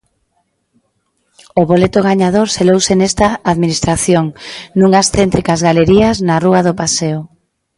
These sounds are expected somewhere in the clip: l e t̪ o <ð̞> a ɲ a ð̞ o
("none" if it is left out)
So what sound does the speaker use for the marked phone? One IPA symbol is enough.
ɣ̞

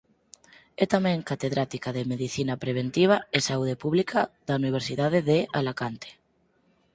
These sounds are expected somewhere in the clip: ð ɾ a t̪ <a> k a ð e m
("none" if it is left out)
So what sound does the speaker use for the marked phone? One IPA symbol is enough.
i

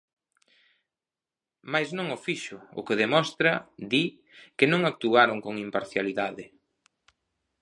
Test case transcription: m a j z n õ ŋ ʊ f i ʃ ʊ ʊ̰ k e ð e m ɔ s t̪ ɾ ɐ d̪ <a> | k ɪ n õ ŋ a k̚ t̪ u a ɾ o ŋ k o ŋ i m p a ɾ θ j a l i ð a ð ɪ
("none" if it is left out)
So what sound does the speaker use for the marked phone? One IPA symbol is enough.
i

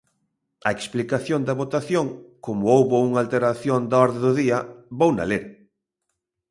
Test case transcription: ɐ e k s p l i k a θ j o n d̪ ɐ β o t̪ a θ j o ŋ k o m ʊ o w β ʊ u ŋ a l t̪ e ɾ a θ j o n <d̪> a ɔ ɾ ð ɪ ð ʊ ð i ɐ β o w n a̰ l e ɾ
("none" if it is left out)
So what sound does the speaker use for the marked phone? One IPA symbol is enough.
d̪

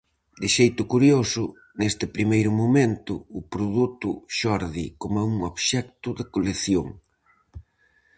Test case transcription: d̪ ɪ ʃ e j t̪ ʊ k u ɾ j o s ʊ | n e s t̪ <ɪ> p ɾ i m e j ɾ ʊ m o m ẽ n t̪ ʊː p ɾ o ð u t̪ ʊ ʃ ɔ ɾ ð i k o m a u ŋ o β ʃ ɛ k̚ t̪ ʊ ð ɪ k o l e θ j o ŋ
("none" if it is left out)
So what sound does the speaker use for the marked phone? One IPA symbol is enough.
ɪ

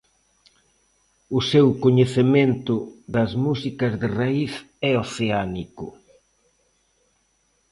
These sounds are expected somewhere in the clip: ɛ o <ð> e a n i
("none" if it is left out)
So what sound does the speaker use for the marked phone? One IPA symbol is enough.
θ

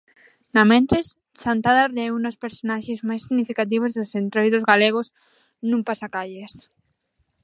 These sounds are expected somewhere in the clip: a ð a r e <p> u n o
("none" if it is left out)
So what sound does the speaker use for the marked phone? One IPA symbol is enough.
none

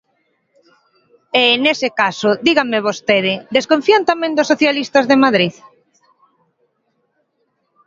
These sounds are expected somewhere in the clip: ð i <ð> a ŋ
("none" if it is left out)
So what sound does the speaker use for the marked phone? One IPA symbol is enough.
ɣ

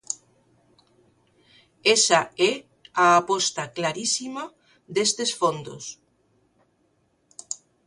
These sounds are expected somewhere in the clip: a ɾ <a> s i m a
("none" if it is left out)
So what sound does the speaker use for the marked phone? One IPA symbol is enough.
i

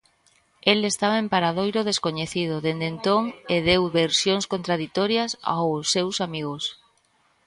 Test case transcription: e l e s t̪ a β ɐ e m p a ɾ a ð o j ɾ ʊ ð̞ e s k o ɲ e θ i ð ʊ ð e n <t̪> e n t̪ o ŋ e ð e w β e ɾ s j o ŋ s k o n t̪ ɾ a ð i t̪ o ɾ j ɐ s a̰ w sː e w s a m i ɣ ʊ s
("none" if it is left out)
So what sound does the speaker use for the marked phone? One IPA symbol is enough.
d̪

